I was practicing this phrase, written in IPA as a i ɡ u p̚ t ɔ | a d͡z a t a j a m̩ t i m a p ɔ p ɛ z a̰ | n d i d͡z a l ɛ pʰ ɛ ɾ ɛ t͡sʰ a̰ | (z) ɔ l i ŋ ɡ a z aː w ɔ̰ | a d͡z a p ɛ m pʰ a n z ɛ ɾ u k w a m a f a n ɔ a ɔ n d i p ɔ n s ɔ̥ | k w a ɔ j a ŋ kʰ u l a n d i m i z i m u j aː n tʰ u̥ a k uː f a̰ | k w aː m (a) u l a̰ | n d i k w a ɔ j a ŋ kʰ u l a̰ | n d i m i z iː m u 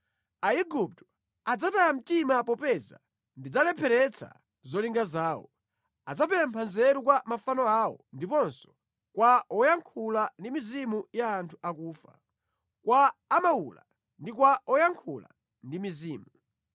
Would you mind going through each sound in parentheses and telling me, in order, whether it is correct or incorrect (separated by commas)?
correct, correct